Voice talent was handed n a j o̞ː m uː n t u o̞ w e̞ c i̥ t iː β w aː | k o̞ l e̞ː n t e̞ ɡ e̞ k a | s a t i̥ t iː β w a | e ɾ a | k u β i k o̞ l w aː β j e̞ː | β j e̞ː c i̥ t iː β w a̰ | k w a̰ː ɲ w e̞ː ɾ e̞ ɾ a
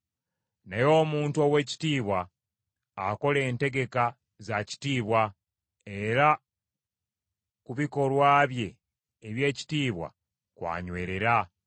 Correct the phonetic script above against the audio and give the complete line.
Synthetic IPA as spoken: n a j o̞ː m uː n t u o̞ w e̞ c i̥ t iː β w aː | k o̞ l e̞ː n t e̞ ɡ e̞ k a | z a c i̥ t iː β w a | e ɾ a | k u β i k o̞ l w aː β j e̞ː | β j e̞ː c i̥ t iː β w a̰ | k w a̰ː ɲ w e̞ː ɾ e̞ ɾ a

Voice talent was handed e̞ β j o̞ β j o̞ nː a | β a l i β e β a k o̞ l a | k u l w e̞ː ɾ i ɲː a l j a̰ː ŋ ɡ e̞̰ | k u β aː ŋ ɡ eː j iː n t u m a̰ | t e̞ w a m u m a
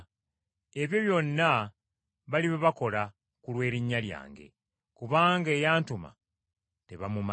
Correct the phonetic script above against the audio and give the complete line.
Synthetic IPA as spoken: e̞ β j o̞ β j o̞ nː a | β a l i β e β a k o̞ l a | k u l w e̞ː ɾ i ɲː a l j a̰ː ŋ ɡ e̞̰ | k u β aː ŋ ɡ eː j aː n t u m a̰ | t e̞ β a m u m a

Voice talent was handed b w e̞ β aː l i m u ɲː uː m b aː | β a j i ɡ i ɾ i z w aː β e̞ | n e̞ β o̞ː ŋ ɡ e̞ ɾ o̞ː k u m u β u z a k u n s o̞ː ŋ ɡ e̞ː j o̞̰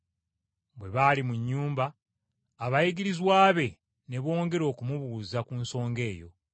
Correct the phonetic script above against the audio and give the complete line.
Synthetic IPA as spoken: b w e̞ β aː l i m u ɲː uː m b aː | β a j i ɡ i ɾ i z w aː β e̞ | n e̞ β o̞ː ŋ ɡ e̞ ɾ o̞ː k u m u β u z a k u n s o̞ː ŋ ɡ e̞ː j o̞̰

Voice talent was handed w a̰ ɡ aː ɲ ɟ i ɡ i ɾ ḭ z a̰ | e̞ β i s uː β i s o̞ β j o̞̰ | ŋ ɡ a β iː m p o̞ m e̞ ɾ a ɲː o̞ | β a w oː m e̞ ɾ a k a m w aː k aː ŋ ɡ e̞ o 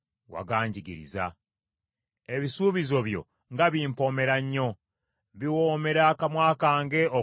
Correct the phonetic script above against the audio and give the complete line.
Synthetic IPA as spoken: w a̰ ɡ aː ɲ ɟ i ɡ i ɾ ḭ z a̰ | e̞ β i s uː β i z o̞ β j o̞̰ | ŋ ɡ a β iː m p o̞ m e̞ ɾ a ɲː o̞ | β i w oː m e̞ ɾ a k a m w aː k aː ŋ ɡ e̞ o

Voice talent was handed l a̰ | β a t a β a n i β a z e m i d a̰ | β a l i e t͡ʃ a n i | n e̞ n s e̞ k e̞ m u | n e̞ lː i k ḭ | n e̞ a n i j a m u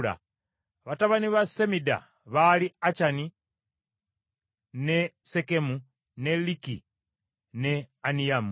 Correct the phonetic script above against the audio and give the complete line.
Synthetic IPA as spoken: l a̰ | β a t a β a n i β a s e m i d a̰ | β a l i a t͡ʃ a n i | n e̞ s e̞ k e̞ m u | n e̞ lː i k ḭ | n e̞ a n i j a m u

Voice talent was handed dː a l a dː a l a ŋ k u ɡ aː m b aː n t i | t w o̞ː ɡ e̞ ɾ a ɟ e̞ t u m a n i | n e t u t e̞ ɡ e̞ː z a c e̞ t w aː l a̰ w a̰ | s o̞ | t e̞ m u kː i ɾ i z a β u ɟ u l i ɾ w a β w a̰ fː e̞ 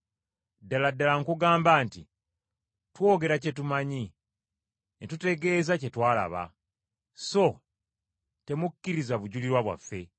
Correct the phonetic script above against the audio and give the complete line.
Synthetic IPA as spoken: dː a l a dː a l a ŋ k u ɡ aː m b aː n t i | t w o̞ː ɡ e̞ ɾ a c e̞ t u m a ɲ i | n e t u t e̞ ɡ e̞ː z a c e̞ t w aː l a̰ β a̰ | s o̞ | t e̞ m u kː i ɾ i z a β u ɟ u l i ɾ w a β w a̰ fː e̞

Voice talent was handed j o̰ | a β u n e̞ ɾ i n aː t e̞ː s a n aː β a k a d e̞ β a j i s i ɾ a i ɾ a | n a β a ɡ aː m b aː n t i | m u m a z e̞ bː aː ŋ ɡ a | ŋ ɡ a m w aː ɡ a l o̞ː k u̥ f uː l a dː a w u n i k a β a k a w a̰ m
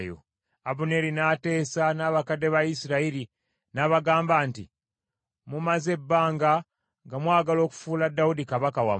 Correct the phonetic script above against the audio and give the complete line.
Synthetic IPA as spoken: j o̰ | a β u n e̞ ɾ i n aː t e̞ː s a n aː β a k a d e̞ β a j i s i ɾ a i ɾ i | n a β a ɡ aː m b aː n t i | m u m a z e̞ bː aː ŋ ɡ a | ŋ ɡ a m w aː ɡ a l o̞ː k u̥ f uː l a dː a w u d i k a β a k a w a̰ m

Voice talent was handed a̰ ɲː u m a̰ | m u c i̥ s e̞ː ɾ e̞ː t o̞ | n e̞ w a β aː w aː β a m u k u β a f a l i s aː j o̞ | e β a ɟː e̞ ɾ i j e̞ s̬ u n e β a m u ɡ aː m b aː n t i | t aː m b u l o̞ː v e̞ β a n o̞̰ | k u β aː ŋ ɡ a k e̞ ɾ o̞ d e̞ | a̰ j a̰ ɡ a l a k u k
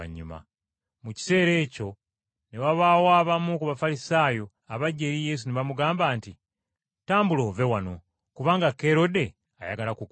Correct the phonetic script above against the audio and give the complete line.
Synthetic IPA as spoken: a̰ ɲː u m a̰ | m u c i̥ s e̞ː ɾ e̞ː c o̞ | n e̞ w a β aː w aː β a m u k u β a f a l i s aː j o̞ | a β a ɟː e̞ ɾ i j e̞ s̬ u n e β a m u ɡ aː m b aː n t i | t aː m b u l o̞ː v e̞ w a n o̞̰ | k u β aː ŋ ɡ a k e̞ ɾ o̞ d e̞ | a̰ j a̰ ɡ a l a k u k

